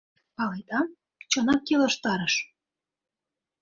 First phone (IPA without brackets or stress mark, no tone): p